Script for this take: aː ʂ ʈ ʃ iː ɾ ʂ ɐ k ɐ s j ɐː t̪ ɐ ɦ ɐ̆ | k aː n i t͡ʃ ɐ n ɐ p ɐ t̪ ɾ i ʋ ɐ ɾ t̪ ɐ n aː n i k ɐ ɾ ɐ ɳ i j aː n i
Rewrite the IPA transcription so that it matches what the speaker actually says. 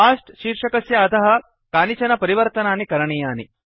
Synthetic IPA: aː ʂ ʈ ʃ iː ɾ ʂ ɐ k ɐ s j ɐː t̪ ɐ ɦ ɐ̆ | k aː n i t͡ʃ ɐ n ɐ p ɐ ɾ i ʋ ɐ ɾ t̪ ɐ n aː n i k ɐ ɾ ɐ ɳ i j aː n i